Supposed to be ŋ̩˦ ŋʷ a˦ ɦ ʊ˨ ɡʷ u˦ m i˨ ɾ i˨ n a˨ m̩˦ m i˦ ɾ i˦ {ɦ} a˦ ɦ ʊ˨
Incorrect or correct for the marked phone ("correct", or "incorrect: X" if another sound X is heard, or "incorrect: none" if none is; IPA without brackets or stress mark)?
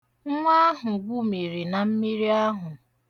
incorrect: none